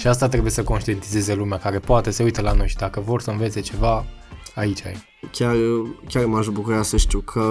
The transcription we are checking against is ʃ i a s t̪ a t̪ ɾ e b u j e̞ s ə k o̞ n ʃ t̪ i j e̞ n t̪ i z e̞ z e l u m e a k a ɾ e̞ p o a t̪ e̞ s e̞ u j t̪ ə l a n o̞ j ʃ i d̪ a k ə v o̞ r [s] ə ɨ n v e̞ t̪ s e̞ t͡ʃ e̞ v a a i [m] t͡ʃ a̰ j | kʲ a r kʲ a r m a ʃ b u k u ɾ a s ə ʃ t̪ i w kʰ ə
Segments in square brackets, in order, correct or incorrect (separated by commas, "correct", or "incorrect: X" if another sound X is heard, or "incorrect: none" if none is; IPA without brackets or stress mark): correct, incorrect: none